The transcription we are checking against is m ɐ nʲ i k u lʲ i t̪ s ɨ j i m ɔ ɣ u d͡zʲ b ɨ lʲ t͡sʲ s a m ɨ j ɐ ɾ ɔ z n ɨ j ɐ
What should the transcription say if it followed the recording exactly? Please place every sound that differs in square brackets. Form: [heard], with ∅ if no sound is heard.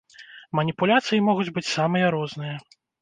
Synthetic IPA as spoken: m ɐ nʲ i [p] u lʲ [a] t̪ s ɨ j i m ɔ ɣ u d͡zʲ b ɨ [∅] t͡sʲ s a m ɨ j ɐ ɾ ɔ z n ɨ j ɐ